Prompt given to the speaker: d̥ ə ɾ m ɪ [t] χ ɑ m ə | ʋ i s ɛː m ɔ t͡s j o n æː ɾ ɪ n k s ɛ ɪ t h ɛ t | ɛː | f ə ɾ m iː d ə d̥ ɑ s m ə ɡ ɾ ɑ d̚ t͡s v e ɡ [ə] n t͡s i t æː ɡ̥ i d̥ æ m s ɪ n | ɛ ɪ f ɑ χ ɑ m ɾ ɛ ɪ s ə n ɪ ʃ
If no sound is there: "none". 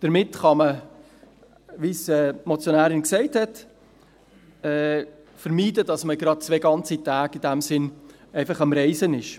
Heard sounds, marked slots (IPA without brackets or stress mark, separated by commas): t, ɑ